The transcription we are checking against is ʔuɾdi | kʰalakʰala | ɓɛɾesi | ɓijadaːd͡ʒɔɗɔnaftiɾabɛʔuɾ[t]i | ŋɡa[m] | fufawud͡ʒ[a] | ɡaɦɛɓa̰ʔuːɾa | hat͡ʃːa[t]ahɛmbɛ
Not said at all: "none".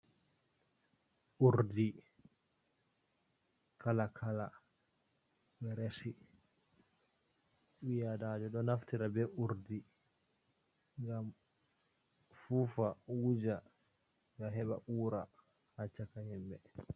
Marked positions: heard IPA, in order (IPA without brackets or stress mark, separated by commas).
d, m, a, k